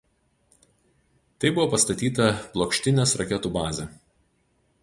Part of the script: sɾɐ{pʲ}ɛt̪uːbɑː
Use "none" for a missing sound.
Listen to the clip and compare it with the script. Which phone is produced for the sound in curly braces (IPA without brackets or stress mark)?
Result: kʲ